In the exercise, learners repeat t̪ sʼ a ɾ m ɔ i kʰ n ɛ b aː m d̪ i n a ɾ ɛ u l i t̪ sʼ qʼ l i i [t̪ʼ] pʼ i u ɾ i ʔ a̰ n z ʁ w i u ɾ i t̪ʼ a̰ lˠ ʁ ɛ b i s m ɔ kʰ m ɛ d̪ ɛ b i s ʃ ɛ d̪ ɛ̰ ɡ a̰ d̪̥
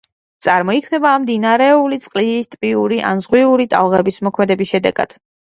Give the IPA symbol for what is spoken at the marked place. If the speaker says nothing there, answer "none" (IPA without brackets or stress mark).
t̪ʼ